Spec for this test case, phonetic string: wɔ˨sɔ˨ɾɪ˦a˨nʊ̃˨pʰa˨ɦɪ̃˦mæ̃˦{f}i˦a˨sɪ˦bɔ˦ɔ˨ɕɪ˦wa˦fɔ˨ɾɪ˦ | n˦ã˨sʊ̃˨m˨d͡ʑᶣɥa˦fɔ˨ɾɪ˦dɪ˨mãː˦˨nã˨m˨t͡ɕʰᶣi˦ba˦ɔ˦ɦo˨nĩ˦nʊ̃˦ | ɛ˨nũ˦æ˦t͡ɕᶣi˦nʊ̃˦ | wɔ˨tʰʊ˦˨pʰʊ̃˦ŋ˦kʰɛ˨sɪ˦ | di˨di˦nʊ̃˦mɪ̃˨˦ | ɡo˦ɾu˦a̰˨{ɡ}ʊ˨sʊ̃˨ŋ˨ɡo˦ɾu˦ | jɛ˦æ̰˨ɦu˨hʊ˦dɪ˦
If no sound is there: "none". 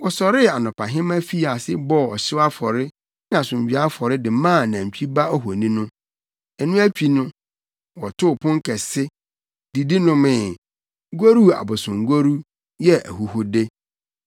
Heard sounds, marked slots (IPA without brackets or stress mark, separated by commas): f, b